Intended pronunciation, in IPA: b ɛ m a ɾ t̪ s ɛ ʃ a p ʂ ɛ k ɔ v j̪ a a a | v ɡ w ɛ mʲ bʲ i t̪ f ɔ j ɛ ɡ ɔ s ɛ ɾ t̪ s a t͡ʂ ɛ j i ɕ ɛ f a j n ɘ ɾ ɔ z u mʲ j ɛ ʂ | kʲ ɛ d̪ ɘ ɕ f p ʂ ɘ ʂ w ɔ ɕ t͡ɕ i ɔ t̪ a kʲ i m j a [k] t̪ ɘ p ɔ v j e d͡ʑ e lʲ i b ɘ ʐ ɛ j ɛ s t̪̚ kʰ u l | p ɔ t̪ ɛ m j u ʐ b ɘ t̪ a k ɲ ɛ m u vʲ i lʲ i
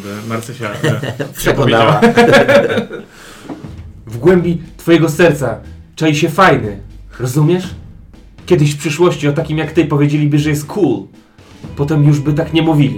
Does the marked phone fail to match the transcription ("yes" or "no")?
no